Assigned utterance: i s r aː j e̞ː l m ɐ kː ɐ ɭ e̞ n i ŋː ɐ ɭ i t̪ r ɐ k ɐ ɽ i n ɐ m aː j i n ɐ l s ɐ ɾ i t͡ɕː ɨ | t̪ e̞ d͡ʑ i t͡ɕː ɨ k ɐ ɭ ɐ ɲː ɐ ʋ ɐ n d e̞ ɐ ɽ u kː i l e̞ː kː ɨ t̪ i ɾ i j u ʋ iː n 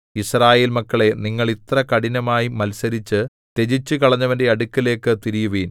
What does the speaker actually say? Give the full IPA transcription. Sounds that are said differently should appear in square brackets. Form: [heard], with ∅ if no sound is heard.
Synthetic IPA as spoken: i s r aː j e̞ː l m ɐ kː ɐ ɭ e̞ n i ŋː ɐ ɭ i t̪ r ɐ k ɐ ɽ i n ɐ m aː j i [m] ɐ l s ɐ ɾ i t͡ɕː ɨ | t̪ e̞ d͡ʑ i t͡ɕː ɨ k ɐ ɭ ɐ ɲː ɐ ʋ ɐ n d e̞ ɐ ɽ u kː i l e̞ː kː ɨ t̪ i ɾ i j u ʋ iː n